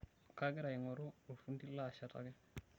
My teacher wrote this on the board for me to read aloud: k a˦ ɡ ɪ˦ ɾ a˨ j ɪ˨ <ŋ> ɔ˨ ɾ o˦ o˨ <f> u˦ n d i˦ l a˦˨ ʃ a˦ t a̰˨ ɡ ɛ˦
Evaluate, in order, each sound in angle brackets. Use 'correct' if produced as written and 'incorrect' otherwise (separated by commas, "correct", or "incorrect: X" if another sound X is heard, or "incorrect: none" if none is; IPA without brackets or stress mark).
correct, correct